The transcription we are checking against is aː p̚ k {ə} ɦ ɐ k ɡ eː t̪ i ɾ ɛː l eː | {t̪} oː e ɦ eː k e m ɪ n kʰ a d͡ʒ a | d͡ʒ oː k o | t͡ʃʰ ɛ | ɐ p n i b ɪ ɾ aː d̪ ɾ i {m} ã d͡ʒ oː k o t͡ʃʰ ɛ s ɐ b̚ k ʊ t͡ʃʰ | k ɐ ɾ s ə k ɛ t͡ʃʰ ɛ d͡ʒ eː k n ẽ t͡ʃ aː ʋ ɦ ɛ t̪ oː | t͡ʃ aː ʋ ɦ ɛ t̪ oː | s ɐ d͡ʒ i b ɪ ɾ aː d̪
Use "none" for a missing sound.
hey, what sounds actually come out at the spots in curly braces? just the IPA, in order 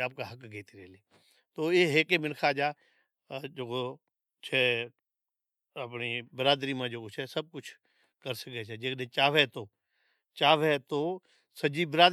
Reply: a, t̪, m

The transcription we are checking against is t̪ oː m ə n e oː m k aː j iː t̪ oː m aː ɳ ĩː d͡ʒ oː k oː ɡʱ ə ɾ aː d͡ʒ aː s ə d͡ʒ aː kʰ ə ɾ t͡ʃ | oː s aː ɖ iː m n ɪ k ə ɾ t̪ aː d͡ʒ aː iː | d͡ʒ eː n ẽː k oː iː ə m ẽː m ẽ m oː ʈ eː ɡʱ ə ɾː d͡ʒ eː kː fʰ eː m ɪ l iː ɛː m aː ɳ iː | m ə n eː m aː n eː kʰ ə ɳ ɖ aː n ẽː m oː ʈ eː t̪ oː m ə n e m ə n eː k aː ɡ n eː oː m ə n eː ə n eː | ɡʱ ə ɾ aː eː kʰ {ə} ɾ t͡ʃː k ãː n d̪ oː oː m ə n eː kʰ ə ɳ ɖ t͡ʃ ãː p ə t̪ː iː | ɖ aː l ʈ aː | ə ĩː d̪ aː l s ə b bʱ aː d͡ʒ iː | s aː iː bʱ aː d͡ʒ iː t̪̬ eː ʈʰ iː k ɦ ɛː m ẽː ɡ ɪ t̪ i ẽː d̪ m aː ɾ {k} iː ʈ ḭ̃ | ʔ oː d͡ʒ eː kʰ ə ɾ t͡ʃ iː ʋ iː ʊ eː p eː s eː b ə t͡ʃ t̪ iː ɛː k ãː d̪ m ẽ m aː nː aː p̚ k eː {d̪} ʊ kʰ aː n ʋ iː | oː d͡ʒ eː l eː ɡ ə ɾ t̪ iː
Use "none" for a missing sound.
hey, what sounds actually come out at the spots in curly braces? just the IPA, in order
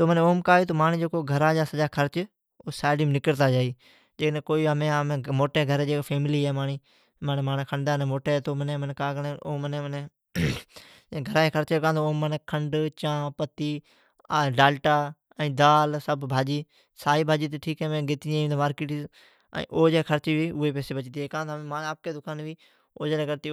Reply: ə, k, d̪

